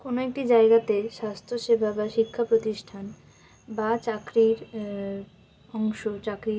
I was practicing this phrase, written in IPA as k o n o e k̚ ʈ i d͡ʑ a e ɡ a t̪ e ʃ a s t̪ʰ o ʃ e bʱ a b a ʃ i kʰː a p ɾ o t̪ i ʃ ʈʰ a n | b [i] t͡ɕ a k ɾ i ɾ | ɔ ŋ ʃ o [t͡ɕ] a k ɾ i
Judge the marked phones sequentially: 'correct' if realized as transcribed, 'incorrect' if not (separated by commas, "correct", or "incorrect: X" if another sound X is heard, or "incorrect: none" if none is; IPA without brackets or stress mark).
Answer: incorrect: a, correct